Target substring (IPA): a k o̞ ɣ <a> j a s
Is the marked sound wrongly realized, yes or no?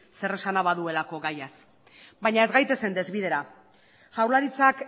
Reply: no